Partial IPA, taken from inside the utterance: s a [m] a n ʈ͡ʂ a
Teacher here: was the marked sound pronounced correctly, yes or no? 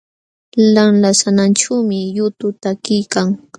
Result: no